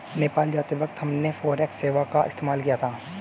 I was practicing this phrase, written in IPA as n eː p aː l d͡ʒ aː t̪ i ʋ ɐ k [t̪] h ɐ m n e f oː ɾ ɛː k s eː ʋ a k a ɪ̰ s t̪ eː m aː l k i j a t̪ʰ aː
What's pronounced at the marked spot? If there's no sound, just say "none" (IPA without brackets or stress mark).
t̪